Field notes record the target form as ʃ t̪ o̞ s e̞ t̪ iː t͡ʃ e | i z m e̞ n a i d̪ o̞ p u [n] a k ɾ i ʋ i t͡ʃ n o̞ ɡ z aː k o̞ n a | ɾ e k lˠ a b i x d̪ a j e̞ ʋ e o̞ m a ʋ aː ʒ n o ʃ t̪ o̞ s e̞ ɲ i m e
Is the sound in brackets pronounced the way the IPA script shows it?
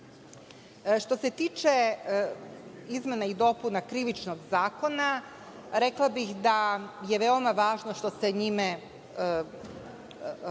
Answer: yes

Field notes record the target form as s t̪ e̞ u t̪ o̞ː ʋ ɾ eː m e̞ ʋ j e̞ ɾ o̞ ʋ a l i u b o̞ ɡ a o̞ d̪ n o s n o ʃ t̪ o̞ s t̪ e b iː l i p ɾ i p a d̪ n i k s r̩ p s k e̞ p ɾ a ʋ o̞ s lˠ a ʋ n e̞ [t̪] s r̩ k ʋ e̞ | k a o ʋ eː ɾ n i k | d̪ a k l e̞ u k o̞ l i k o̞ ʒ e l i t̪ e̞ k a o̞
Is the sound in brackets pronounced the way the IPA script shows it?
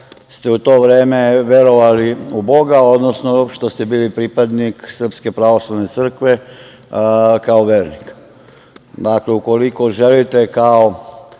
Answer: yes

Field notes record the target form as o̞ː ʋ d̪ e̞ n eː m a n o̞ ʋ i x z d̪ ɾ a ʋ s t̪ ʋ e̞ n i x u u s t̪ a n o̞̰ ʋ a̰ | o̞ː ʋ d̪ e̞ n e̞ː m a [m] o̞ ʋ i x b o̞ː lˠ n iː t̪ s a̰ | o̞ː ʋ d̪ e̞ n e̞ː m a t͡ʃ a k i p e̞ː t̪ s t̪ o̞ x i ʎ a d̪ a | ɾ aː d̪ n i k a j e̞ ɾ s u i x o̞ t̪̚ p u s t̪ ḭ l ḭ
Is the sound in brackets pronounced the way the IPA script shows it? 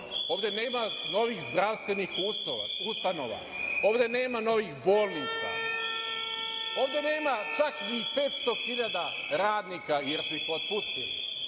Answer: no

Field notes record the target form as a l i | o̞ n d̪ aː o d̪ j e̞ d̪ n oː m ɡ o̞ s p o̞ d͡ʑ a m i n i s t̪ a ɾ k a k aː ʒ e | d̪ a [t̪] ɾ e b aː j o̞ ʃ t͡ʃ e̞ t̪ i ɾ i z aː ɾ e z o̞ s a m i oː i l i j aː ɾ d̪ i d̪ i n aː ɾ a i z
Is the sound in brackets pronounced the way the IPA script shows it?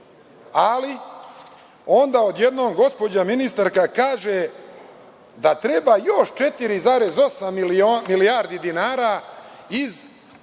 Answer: yes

